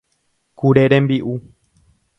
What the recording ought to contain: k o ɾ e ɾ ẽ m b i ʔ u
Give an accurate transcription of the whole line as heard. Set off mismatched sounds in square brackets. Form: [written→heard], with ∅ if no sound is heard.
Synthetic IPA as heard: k [o→u] ɾ e ɾ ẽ m b i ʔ u

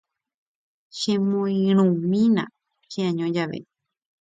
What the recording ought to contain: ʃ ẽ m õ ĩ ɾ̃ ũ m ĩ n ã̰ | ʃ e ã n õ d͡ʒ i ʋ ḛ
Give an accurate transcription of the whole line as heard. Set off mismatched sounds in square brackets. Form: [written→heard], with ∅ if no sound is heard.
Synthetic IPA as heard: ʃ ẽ m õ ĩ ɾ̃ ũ m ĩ n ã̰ | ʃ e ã [n→ɲ] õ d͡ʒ [i→a] ʋ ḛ

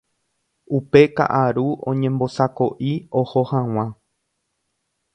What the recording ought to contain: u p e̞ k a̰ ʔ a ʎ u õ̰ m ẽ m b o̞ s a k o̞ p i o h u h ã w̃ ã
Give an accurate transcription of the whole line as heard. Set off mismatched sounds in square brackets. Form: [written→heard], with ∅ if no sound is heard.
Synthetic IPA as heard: u p e̞ k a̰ ʔ a [ʎ→ɾ] u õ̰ [m→ɲ] ẽ m b o̞ s a k o̞ [p→ʔ] i o h [u→o] h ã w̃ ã

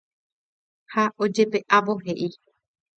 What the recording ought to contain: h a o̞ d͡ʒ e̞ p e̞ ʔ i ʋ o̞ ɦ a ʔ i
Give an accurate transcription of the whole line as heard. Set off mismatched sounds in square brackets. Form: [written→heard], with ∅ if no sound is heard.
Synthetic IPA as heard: h a o̞ d͡ʒ e̞ p e̞ ʔ [i→a] ʋ o̞ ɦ [a→e] ʔ i

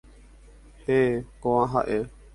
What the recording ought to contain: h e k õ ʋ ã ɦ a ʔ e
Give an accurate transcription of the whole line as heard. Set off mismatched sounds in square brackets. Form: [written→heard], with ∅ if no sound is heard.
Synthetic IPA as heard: h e k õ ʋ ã ɦ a ʔ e

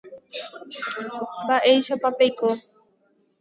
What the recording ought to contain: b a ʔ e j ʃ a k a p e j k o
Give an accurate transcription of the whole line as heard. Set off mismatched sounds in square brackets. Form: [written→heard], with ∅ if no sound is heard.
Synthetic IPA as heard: b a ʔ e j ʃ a [k→p] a p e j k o

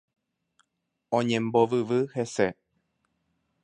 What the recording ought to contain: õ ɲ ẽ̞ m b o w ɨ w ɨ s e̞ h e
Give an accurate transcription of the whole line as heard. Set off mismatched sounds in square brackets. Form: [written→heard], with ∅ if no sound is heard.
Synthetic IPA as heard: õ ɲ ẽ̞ m b o [w→ʋ] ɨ [w→ʋ] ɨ [s→h] e̞ [h→s] e

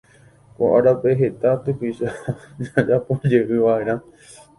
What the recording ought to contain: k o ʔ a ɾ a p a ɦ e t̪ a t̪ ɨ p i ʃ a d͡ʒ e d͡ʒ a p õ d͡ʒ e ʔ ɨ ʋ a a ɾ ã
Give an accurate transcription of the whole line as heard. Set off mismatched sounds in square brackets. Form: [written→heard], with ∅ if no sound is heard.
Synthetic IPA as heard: k o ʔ a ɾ a p [a→e] ɦ e t̪ a t̪ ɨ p i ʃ a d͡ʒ [e→a] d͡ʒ a p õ d͡ʒ e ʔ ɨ ʋ a [a→e] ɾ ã

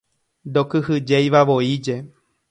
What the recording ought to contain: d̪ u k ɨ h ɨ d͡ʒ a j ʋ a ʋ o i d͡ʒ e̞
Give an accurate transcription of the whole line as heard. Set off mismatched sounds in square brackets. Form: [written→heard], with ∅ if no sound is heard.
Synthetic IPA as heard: d̪ [u→o] k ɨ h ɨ d͡ʒ [a→e] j ʋ a ʋ o i d͡ʒ e̞

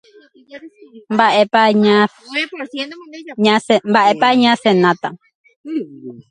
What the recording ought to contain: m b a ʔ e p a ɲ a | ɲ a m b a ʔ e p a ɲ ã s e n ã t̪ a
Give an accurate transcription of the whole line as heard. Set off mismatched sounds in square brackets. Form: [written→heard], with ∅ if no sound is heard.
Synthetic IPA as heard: m b a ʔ e p a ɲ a | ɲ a m b a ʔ e p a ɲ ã s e n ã t̪ a

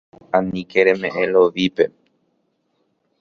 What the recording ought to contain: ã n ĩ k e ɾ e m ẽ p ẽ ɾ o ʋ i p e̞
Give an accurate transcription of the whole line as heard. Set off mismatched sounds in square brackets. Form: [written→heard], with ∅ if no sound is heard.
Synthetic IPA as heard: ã n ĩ k e ɾ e m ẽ [p→ʔ] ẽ [ɾ→l] o ʋ i p e̞

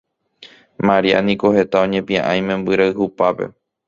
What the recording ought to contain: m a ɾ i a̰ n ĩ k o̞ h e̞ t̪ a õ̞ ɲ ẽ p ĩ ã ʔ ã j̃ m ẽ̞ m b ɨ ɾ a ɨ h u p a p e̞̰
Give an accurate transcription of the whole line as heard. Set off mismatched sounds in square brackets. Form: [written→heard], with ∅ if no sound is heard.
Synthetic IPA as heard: m a ɾ i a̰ n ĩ k o̞ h e̞ t̪ a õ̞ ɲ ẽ p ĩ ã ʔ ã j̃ m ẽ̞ m b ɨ ɾ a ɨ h u p a p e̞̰

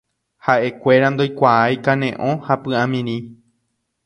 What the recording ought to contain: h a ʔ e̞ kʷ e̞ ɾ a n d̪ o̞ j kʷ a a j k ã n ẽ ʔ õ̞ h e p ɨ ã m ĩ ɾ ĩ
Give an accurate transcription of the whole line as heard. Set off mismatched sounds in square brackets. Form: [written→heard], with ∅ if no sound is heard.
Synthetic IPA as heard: h a ʔ e̞ kʷ e̞ ɾ a n d̪ o̞ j kʷ a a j k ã n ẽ ʔ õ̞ h [e→a] p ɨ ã m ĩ ɾ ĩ

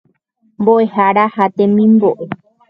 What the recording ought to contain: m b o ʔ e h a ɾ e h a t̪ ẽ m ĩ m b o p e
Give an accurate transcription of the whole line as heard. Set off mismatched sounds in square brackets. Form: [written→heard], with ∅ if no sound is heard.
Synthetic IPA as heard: m b o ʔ e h a ɾ [e→a] h a t̪ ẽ m ĩ m b o [p→ʔ] e

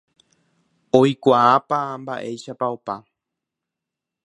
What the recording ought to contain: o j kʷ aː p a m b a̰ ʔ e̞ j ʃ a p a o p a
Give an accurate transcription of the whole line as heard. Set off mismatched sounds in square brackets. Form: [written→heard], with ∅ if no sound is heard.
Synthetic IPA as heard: o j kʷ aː p a m b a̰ ʔ e̞ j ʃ a p a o p a

